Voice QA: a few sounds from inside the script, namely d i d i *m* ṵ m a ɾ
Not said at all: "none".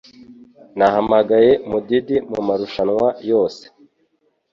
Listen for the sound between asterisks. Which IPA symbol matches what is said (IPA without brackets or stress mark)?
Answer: m